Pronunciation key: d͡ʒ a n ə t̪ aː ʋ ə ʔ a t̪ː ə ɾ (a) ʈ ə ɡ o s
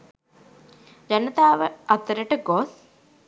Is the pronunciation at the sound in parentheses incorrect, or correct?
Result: incorrect: ə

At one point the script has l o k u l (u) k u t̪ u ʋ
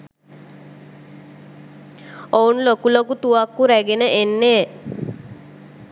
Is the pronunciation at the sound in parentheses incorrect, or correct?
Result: incorrect: o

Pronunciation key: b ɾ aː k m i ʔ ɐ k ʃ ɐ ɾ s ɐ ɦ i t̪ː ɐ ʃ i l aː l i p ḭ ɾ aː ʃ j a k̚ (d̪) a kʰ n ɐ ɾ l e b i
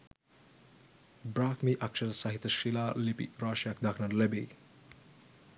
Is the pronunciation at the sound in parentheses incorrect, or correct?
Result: correct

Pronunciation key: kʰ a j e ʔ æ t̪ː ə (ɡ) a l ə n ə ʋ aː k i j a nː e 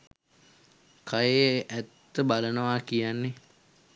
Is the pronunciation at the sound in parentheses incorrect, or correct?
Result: incorrect: b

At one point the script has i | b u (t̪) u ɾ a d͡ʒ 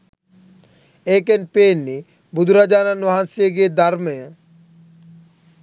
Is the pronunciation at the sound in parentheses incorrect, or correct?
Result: incorrect: d̪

